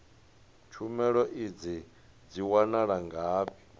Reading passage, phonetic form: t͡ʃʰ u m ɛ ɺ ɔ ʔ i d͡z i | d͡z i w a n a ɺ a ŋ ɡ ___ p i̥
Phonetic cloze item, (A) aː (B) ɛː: A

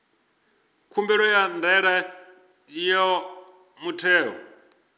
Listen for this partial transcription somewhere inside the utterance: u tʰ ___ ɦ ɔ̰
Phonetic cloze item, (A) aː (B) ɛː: B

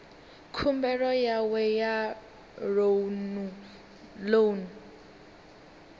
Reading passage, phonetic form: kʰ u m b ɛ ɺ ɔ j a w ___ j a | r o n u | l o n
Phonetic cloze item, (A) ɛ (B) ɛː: A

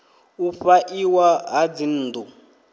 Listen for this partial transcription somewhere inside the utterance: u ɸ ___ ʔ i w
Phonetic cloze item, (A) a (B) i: A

